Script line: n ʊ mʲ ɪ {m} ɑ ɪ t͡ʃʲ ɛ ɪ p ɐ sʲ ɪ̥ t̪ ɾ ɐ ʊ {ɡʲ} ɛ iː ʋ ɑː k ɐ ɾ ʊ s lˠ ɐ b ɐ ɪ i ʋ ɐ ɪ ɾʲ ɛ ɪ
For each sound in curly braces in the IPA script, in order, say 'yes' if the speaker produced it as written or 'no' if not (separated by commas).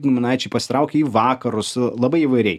no, no